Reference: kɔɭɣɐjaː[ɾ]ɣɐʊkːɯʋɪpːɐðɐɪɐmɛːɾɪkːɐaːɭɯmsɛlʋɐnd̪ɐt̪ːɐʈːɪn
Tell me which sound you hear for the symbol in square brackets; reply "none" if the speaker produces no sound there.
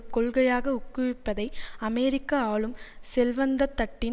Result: none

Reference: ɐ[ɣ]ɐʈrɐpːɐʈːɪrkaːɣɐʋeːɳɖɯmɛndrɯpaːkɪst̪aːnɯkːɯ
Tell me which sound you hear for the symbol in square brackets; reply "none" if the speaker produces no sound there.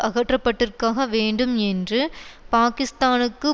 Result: ɣ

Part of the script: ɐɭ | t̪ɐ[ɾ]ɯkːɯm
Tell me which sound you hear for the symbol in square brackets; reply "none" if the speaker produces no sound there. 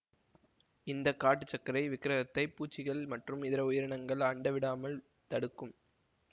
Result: ɽ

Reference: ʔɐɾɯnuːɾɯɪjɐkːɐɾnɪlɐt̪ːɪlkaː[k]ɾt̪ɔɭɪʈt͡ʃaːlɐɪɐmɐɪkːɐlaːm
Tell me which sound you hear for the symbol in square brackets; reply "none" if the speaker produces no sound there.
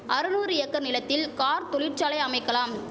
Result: none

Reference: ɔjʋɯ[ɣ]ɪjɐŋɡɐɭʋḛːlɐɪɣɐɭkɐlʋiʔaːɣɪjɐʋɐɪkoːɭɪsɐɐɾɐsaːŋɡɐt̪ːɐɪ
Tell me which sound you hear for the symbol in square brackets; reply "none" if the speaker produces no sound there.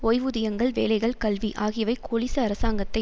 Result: ð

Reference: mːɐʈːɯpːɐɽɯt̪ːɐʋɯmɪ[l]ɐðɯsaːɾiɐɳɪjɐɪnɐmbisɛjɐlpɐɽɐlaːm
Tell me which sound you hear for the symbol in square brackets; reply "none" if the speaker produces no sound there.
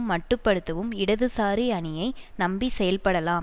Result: ɽ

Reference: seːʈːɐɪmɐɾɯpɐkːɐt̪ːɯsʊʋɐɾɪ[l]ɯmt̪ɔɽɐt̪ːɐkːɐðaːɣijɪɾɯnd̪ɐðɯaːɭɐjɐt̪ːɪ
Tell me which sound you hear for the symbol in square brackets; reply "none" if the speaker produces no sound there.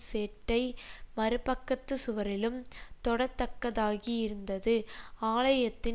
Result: l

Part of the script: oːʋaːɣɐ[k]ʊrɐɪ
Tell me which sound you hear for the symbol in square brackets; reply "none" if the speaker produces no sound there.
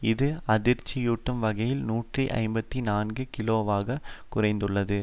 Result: k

